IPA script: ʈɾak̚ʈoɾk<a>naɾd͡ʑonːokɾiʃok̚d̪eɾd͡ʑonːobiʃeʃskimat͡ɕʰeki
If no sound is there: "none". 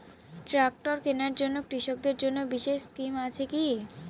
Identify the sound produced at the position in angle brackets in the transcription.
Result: e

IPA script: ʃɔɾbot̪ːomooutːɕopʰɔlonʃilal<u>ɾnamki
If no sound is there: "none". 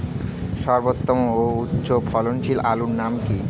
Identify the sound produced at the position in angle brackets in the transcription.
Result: u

